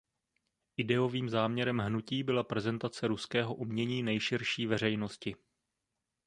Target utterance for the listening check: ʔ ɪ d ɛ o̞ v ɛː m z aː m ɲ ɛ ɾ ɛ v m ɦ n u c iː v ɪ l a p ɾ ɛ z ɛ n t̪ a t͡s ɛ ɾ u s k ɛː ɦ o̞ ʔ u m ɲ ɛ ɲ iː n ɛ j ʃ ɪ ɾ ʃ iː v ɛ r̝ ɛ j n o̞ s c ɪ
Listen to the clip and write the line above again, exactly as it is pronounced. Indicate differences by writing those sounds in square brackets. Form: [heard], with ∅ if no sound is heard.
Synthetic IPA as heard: ʔ ɪ d ɛ o̞ v [iː] m z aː m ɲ ɛ ɾ ɛ [∅] m ɦ n u c iː [b] ɪ l a p ɾ ɛ z ɛ n t̪ a t͡s ɛ ɾ u s k ɛː ɦ o̞ ʔ u m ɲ ɛ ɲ iː n ɛ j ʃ ɪ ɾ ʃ iː v ɛ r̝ ɛ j n o̞ s c ɪ